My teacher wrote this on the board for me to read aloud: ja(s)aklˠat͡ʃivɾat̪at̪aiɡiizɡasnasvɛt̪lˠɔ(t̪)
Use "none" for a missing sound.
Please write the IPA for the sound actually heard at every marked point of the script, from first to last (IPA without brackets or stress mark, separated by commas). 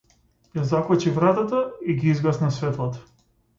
z, t̪